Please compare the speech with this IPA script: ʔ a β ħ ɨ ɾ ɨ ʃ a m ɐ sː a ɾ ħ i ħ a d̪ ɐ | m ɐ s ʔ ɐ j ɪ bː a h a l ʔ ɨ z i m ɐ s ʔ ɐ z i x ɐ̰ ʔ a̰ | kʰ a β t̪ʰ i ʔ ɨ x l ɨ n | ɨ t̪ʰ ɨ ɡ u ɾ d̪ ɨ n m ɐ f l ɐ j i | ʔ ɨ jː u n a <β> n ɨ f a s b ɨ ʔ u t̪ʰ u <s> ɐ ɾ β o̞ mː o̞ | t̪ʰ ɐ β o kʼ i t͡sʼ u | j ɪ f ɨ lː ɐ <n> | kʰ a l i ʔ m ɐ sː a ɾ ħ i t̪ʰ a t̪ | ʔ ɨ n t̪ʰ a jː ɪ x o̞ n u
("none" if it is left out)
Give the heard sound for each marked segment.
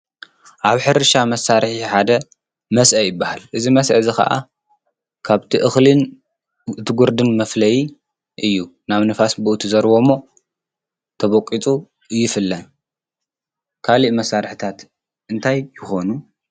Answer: β, z, n

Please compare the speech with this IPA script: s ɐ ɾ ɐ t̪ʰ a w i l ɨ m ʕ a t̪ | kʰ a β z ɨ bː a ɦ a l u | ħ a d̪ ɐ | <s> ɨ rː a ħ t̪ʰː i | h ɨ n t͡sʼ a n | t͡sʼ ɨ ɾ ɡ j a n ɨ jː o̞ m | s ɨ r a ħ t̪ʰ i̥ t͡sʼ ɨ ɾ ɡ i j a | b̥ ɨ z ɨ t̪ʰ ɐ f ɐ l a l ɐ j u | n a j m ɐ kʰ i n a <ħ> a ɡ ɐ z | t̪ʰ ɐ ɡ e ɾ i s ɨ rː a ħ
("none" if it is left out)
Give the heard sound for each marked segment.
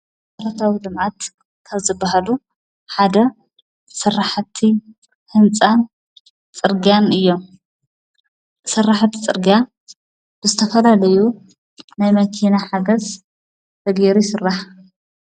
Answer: s, ħ

